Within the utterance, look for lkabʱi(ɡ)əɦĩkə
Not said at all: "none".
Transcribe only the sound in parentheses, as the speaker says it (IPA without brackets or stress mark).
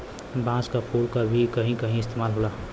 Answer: k